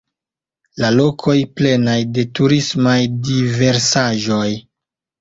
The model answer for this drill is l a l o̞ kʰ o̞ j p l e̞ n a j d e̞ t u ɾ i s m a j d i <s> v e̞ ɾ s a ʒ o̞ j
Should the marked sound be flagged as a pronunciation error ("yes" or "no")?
yes